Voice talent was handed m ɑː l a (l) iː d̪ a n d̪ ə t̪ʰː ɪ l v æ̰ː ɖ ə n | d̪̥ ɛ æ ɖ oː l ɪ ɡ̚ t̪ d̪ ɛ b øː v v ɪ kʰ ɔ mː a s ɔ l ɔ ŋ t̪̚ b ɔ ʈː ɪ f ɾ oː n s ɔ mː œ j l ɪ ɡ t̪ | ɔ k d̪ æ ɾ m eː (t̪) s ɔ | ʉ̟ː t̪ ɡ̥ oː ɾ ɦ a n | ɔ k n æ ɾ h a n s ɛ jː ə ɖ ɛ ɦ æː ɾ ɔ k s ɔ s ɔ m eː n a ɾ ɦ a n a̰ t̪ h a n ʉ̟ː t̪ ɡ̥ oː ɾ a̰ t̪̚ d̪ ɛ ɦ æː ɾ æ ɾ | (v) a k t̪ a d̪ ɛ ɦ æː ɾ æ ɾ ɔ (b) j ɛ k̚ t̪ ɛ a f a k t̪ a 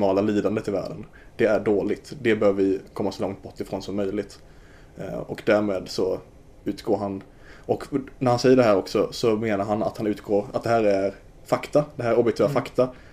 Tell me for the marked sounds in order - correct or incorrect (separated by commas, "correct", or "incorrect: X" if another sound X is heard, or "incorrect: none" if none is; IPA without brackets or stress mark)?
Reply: correct, incorrect: d̪, incorrect: f, correct